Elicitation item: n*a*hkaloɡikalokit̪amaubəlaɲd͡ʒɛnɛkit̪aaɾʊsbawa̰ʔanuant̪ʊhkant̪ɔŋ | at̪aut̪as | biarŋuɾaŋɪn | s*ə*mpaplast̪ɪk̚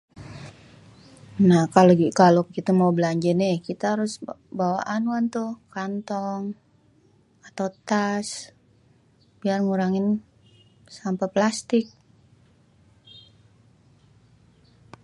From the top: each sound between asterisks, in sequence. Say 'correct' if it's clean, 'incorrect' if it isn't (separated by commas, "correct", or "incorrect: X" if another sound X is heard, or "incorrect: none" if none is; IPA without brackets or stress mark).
correct, incorrect: a